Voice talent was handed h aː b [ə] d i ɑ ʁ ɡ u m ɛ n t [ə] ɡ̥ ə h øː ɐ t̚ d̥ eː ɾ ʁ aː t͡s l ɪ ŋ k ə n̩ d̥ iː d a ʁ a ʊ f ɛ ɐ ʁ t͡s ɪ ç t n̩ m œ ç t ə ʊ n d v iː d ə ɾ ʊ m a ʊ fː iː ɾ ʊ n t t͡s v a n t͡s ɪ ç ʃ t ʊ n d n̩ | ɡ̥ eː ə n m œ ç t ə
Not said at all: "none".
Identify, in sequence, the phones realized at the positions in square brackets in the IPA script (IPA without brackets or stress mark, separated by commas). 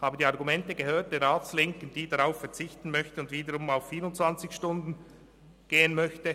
ə, ə